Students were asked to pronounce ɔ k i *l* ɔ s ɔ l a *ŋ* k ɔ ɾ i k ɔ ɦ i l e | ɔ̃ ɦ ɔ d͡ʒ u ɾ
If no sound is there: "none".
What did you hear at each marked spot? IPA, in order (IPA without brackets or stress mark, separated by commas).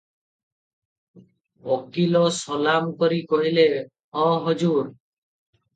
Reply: l, m